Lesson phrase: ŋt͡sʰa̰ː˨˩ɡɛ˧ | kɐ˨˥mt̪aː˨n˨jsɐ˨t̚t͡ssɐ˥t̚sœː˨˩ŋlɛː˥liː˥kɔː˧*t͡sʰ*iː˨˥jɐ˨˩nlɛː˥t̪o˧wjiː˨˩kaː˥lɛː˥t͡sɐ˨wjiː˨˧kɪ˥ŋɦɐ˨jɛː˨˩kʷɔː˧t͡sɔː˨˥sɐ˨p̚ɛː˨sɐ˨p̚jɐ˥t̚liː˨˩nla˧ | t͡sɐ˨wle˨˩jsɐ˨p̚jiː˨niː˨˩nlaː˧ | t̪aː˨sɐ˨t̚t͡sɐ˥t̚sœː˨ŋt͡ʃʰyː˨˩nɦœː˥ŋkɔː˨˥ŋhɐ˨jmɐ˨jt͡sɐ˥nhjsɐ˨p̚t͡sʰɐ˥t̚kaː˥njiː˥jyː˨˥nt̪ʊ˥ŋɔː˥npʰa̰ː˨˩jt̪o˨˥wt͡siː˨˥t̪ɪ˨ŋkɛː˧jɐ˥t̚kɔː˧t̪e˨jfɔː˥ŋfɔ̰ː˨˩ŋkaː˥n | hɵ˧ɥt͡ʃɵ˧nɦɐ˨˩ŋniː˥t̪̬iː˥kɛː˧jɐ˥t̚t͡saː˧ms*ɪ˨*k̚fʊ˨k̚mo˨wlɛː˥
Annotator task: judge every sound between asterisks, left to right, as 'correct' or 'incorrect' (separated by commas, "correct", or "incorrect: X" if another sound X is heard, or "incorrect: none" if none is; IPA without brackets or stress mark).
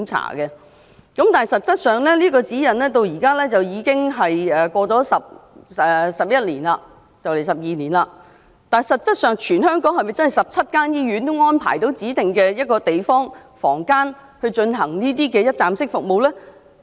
incorrect: t͡s, incorrect: ɪ˥